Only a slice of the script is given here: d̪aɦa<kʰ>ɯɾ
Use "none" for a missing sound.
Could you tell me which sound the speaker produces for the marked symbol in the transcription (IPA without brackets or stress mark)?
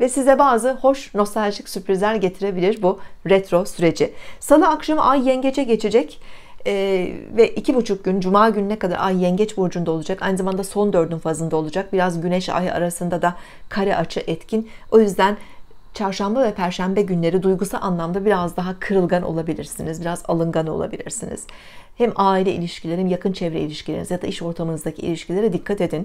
kʰ